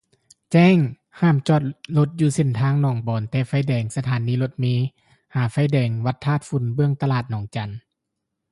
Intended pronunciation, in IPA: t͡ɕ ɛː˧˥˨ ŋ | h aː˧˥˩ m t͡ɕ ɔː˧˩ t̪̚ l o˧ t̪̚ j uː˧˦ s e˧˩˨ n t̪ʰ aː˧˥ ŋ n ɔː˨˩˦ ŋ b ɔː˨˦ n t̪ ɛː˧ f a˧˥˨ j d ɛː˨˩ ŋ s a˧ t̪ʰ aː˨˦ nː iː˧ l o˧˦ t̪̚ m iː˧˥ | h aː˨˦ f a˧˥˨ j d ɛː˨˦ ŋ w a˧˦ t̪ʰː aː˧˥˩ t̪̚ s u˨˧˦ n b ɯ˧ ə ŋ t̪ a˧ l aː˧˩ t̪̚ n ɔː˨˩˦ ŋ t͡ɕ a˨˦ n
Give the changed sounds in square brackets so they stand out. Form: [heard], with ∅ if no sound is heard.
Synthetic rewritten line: t͡ɕ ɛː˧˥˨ ŋ | h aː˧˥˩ m t͡ɕ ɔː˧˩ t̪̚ l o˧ t̪̚ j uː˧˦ s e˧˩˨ n t̪ʰ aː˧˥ ŋ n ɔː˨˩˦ ŋ b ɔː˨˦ n t̪ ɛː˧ f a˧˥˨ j d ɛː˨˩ ŋ s a˧ t̪ʰ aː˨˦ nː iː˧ l o˧˦ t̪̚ m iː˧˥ | h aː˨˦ f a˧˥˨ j d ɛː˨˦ ŋ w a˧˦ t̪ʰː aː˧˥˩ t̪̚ [f] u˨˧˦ n b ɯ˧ ə ŋ t̪ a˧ l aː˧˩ t̪̚ n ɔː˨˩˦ ŋ t͡ɕ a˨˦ n